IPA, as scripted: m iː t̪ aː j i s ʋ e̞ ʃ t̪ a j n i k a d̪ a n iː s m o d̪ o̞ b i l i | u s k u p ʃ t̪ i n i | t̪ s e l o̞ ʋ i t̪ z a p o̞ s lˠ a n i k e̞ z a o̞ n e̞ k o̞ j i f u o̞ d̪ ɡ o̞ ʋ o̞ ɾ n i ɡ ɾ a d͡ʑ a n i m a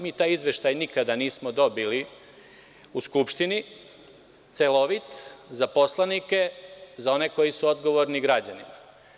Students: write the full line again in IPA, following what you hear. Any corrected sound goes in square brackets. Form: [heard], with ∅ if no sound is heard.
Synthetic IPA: m iː t̪ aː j i [z] ʋ e̞ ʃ t̪ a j n i k a d̪ a n iː s m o d̪ o̞ b i l i | u s k u p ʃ t̪ i n i | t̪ s e l o̞ ʋ i t̪ z a p o̞ s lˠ a n i k e̞ z a o̞ n e̞ k o̞ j i [s] u o̞ d̪ ɡ o̞ ʋ o̞ ɾ n i ɡ ɾ a d͡ʑ a n i m a